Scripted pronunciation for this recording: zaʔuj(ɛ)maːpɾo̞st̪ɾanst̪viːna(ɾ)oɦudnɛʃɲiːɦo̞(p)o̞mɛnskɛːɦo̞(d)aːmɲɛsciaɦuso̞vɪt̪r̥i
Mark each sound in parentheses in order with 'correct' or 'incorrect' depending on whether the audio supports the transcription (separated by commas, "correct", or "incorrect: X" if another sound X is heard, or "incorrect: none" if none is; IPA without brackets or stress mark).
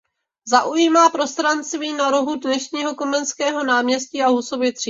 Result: incorrect: i, correct, incorrect: k, incorrect: n